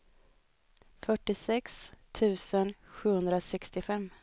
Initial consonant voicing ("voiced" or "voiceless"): voiceless